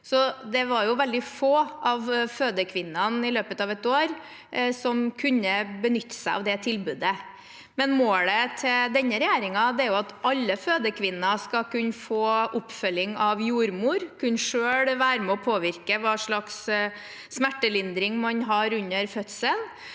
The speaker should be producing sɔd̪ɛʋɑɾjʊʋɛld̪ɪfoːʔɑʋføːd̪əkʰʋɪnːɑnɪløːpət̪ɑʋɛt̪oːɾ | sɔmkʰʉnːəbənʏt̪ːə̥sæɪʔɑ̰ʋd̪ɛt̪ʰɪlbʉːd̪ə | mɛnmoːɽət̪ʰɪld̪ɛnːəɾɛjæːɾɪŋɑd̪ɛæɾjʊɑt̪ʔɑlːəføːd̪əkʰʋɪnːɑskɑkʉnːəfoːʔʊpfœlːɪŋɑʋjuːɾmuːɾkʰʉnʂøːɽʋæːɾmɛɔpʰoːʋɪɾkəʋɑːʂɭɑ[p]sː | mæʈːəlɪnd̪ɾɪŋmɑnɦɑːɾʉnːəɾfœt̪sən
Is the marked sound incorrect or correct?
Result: incorrect